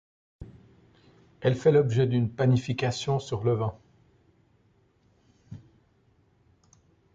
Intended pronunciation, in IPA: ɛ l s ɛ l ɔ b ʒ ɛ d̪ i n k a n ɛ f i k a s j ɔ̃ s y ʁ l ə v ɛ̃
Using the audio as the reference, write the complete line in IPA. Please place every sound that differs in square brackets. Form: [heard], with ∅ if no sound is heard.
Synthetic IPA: ɛ l [f] ɛ l ɔ b ʒ ɛ d̪ [y] n [p] a n [i] f i k a s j ɔ̃ s y ʁ l ə v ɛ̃